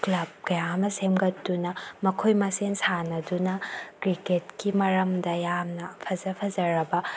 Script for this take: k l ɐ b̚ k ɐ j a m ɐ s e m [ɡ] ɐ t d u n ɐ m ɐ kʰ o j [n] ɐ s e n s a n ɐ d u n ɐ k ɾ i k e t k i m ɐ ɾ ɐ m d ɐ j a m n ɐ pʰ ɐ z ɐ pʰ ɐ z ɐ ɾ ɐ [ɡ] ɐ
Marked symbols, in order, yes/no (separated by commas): yes, no, no